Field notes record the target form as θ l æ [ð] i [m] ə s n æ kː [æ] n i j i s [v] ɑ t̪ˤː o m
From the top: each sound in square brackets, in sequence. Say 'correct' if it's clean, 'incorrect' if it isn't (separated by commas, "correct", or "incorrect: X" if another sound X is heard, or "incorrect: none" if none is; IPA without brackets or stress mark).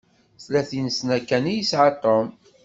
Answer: incorrect: θ, incorrect: n, correct, incorrect: ʕ